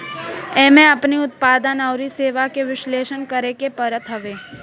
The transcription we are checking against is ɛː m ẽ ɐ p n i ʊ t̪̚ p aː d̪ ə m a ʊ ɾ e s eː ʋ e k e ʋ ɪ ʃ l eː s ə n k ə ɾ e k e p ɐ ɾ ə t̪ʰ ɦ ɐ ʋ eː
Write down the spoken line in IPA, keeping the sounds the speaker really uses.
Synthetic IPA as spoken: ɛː m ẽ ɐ p n i ʊ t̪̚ p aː d̪ ə n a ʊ ɾ i s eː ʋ a k e ʋ ɪ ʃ l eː ʃ ə n k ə ɾ e k e p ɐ ɾ ə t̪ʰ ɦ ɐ ʋ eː